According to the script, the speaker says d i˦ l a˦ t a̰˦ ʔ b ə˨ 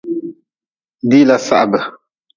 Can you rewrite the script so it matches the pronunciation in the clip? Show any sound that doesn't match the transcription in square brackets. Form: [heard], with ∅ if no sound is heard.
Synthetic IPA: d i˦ l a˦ [s] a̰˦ ʔ b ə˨